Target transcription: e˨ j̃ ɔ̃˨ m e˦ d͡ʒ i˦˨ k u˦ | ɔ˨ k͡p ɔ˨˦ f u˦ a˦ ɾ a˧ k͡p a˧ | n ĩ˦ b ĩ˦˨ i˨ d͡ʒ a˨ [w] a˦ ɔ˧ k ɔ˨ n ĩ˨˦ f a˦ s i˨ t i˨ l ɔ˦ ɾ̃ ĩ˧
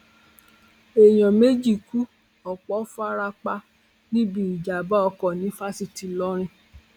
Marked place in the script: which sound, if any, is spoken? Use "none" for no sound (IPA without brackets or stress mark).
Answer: b